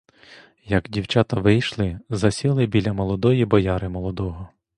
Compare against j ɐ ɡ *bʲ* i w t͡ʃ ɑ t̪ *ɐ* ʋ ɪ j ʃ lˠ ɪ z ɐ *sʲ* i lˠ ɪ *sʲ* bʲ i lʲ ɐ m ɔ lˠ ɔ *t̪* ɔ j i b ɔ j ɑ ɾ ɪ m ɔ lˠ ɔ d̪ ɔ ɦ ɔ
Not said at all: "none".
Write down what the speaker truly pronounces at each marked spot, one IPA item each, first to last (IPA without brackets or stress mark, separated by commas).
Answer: dʲ, ɐ, sʲ, none, d̪